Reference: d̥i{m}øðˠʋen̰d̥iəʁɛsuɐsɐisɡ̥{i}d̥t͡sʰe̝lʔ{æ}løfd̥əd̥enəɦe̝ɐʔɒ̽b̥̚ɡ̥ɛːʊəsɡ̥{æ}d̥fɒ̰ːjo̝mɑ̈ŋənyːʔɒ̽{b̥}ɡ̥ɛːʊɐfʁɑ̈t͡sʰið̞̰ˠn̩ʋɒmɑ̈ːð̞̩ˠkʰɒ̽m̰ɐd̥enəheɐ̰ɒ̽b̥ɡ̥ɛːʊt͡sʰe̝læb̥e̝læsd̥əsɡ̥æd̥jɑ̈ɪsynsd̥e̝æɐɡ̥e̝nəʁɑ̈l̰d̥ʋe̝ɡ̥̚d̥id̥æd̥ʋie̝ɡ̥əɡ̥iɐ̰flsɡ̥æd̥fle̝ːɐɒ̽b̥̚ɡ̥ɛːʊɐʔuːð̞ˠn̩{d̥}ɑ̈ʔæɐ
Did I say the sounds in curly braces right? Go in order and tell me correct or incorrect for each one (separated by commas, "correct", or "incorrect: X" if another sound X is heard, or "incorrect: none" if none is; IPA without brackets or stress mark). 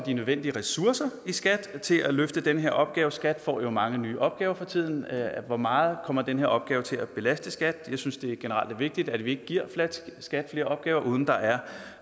incorrect: n, incorrect: æ, correct, correct, correct, correct